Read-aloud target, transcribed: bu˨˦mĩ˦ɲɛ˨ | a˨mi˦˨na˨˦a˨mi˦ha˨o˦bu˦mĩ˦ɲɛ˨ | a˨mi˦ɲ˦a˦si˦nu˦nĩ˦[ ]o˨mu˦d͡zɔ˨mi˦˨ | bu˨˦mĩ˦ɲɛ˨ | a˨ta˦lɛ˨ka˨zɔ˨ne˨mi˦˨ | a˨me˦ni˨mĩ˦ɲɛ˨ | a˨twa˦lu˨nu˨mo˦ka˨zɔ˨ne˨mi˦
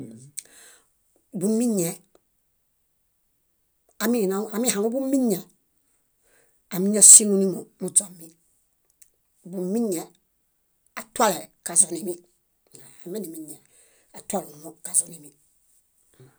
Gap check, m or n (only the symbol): m